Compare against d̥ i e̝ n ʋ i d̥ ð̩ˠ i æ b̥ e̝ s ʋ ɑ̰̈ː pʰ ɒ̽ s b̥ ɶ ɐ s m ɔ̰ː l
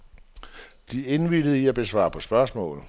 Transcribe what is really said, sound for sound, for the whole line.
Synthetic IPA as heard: d̥ i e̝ n ʋ i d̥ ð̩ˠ i æ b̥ e̝ s ʋ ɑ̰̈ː pʰ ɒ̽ s b̥ ɶ ɐ s m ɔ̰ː l